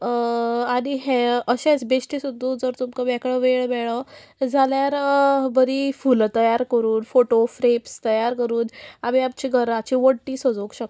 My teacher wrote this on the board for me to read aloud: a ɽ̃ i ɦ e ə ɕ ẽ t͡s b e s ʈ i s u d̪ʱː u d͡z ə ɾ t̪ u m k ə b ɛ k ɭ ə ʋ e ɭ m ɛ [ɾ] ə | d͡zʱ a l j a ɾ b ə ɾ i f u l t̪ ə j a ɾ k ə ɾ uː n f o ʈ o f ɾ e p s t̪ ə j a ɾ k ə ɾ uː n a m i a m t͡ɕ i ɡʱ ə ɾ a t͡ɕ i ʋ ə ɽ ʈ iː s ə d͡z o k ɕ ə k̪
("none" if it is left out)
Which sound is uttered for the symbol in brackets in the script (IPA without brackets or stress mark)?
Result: ɭ